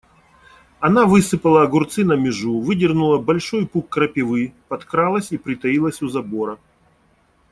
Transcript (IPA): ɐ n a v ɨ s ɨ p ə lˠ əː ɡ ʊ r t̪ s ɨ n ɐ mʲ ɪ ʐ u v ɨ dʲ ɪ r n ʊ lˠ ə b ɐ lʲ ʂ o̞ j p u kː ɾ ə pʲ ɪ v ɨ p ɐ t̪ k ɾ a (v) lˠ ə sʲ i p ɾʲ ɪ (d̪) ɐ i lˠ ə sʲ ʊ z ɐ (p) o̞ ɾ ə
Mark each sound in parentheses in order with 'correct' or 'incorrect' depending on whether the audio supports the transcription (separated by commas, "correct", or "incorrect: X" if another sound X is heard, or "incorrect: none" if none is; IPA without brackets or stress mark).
incorrect: none, incorrect: t̪, incorrect: b